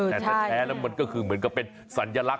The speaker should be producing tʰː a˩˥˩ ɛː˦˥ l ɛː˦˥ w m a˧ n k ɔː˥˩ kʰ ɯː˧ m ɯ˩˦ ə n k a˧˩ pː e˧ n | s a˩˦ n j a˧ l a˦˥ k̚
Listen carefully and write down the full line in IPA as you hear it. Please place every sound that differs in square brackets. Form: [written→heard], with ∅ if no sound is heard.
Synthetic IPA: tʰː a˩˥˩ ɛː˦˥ l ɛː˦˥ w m a˧ n k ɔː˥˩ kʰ ɯː˧ m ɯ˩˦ ə n k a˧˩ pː e˧ n | s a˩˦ n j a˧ l a˦˥ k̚

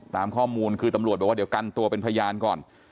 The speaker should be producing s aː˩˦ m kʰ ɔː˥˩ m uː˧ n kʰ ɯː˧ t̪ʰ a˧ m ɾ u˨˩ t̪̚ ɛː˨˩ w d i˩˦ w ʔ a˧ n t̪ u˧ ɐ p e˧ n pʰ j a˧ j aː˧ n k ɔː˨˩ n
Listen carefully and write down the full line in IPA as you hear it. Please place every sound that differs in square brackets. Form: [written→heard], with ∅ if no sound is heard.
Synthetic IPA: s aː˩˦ m kʰ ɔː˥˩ m uː˧ n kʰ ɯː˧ [t̪ʰ→t̪] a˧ m ɾ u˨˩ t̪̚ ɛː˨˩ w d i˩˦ w [ʔ→k] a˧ n t̪ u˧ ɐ p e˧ n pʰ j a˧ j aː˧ n k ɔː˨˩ n

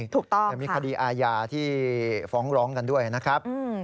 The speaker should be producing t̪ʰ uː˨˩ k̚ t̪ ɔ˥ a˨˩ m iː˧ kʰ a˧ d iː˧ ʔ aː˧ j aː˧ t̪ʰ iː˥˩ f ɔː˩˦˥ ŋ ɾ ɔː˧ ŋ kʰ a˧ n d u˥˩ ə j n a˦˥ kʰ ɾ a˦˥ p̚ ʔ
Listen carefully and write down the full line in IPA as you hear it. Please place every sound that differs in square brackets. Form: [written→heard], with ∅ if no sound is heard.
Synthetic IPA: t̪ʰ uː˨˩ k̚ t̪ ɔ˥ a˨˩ m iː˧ kʰ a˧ d iː˧ ʔ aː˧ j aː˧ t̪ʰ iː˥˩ f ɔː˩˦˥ ŋ ɾ [ɔː˧→ɔː˦˥] ŋ [kʰ→k] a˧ n d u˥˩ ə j n a˦˥ kʰ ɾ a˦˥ p̚ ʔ

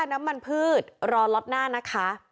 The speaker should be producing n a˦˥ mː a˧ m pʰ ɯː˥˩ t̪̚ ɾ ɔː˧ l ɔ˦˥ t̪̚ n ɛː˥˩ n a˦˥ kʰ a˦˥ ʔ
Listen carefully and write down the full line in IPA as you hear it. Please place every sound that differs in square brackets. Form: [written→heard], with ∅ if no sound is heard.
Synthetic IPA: n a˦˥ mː a˧ [m→n] pʰ ɯː˥˩ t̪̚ ɾ ɔː˧ l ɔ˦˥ t̪̚ n [ɛː˥˩→aː˥˩] n a˦˥ kʰ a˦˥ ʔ

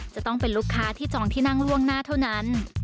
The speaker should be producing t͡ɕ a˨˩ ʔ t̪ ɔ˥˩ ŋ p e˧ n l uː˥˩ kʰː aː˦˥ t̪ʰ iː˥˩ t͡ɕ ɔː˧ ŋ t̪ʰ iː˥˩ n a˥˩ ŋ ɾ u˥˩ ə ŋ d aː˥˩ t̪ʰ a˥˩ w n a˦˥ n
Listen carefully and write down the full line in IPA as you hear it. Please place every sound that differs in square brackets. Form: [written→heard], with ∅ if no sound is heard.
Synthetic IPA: t͡ɕ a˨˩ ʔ t̪ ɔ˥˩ ŋ p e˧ n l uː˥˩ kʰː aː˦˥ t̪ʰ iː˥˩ t͡ɕ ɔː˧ ŋ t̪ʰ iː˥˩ n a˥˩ ŋ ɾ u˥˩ ə ŋ [d→n] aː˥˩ t̪ʰ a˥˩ w n a˦˥ n

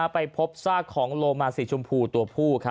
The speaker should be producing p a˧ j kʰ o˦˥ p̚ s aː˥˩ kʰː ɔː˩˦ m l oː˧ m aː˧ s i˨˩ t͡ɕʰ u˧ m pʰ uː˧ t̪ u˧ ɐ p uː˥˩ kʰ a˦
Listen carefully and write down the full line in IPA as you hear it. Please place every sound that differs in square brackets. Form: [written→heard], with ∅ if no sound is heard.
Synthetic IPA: p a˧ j [kʰ→pʰ] o˦˥ p̚ s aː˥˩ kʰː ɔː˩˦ [m→ŋ] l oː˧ m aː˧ s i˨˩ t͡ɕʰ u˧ m pʰ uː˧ t̪ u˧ ɐ [p→pʰ] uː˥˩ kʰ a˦

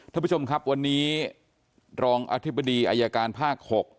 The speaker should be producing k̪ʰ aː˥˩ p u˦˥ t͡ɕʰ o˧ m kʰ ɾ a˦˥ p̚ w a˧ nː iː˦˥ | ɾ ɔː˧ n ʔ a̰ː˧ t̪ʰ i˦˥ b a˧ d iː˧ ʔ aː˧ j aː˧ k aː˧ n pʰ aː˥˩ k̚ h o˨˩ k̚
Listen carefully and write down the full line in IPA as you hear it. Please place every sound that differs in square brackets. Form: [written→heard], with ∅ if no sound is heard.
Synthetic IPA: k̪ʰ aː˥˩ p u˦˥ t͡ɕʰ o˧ m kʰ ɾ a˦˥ p̚ w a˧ nː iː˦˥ | ɾ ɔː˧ [n→ŋ] ʔ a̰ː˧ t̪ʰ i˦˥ b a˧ d iː˧ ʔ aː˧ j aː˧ k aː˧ n pʰ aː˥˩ k̚ h o˨˩ k̚

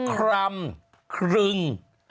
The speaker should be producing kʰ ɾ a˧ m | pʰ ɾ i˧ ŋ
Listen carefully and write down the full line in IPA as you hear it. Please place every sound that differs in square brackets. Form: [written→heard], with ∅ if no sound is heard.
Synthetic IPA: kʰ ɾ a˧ m | [pʰ→kʰ] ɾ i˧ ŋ

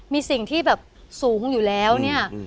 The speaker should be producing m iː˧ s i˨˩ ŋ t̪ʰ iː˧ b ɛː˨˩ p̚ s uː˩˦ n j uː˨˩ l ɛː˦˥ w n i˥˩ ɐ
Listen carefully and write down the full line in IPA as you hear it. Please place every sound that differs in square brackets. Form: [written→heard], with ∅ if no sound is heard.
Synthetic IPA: m iː˧ s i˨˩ ŋ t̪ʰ [iː˧→iː˥˩] b ɛː˨˩ p̚ s uː˩˦ [n→ŋ] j uː˨˩ l ɛː˦˥ w n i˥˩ ɐ

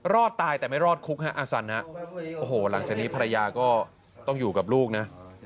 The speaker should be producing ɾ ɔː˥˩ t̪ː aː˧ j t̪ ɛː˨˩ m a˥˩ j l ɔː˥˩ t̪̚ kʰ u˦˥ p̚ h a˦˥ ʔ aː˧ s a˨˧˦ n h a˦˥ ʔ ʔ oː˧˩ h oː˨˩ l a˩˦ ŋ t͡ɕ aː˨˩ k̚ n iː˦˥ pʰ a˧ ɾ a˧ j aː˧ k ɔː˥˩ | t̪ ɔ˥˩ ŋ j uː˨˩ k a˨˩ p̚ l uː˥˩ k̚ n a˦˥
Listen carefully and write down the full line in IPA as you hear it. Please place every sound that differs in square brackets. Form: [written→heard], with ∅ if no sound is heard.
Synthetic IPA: ɾ ɔː˥˩ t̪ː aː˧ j t̪ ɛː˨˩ m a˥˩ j [l→ɾ] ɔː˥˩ t̪̚ kʰ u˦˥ [p̚→k̚] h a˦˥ ʔ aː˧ s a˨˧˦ n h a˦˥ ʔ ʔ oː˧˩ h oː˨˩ l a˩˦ ŋ t͡ɕ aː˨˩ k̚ n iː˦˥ pʰ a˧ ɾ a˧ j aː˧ k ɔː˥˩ | t̪ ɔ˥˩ ŋ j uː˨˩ k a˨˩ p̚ l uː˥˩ k̚ n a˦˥

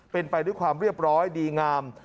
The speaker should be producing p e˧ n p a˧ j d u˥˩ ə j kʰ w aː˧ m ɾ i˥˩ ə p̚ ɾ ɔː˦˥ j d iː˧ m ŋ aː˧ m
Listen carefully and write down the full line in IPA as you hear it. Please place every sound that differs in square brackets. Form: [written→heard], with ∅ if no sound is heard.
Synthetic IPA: p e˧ n p a˧ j d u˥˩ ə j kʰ w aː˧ m ɾ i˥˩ ə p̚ ɾ ɔː˦˥ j d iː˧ [m→∅] ŋ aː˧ m

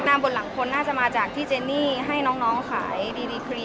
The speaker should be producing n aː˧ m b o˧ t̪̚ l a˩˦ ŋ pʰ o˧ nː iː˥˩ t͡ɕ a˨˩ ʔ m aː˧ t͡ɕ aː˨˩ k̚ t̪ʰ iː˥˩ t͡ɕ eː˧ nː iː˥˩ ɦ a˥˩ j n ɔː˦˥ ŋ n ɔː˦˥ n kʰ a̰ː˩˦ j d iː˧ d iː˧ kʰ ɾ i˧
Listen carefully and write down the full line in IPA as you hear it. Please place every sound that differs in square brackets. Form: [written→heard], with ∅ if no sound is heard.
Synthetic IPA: n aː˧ m b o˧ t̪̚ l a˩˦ ŋ [pʰ→kʰ] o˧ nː [iː˥˩→aː˥˩] t͡ɕ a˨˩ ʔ m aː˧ t͡ɕ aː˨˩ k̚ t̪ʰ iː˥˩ t͡ɕ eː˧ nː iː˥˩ ɦ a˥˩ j n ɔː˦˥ ŋ n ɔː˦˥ [n→ŋ] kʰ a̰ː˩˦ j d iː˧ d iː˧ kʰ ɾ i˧

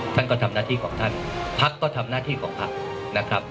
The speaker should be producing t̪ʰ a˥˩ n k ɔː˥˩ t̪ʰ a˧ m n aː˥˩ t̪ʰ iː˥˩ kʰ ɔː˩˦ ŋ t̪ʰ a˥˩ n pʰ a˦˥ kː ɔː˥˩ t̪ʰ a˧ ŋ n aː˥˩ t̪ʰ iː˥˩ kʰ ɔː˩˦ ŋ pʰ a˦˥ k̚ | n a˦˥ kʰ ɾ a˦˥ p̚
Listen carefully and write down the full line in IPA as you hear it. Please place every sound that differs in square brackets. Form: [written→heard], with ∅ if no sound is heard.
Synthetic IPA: t̪ʰ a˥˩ n k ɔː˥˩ t̪ʰ a˧ m n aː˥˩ t̪ʰ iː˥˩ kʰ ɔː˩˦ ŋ t̪ʰ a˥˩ n pʰ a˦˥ kː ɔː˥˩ t̪ʰ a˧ [ŋ→m] n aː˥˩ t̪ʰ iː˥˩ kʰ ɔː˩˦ ŋ pʰ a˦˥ k̚ | n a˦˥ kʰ ɾ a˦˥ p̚

